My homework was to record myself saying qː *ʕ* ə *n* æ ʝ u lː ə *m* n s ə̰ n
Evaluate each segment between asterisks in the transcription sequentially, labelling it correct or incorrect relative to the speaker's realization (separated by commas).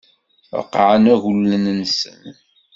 correct, correct, incorrect